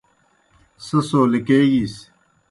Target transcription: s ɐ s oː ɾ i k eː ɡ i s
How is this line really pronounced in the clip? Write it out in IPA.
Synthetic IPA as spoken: s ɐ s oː l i k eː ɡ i s